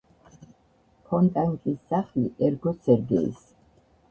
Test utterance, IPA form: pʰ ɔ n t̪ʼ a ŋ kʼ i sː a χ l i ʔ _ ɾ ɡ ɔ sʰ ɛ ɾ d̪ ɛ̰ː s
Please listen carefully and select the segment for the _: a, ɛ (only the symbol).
ɛ